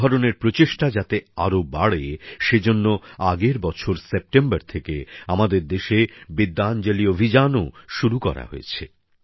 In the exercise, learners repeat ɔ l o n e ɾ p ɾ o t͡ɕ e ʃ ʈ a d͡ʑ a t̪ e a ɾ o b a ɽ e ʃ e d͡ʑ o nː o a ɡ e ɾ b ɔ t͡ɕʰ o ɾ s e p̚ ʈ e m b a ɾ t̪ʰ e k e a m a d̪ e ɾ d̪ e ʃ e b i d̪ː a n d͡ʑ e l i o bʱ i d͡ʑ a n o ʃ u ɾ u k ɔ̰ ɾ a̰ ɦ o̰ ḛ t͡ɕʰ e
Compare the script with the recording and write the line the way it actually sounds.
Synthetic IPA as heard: ɔ ɾ o n e ɾ p ɾ o t͡ɕ e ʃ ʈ a d͡ʑ a t̪ e a ɾ o b a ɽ e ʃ e d͡ʑ o nː o a ɡ e ɾ b ɔ t͡ɕʰ o ɾ s e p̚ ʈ e m b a ɾ t̪ʰ e k e a m a d̪ e ɾ d̪ e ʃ e b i d̪ː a n d͡ʑ e l i o bʱ i d͡ʑ a n o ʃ u ɾ u k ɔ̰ ɾ a̰ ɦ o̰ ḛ t͡ɕʰ e